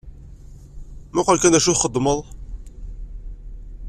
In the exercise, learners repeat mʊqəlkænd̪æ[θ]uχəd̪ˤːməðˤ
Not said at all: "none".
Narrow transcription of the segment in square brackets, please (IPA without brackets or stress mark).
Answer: ʃ